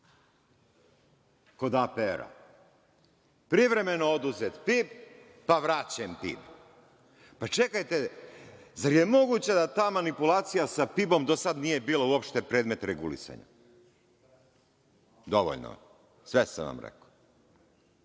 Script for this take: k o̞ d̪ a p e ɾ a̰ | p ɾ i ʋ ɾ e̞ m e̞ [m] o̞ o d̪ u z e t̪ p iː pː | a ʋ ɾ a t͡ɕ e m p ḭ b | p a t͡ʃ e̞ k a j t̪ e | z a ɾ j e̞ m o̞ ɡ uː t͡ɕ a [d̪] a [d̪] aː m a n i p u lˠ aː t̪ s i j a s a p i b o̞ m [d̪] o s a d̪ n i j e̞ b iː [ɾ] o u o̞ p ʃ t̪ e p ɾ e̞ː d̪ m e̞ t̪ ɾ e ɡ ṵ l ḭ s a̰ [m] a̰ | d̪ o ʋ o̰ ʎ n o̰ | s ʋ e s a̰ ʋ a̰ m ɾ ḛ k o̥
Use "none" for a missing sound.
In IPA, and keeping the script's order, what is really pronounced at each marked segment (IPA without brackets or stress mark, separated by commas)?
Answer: n, d̪, t̪, d̪, l, ɲ